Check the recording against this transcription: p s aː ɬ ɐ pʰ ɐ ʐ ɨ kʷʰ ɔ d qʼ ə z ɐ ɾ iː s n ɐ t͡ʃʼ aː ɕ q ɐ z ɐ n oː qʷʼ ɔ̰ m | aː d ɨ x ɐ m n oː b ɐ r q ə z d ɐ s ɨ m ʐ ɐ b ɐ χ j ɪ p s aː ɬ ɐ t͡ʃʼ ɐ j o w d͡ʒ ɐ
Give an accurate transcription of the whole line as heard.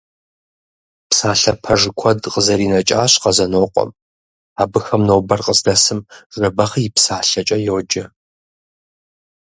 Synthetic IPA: p s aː ɬ ɐ pʰ ɐ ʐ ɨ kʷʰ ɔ d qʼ ə z ɐ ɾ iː n ɐ t͡ʃʼ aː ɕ q ɐ z ɐ n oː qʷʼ ɔ̰ m | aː b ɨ x ɐ m n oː b ɐ r q ə z d ɐ s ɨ m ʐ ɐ b ɐ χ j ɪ p s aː ɬ ɐ t͡ʃʼ ɐ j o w d͡ʒ ɐ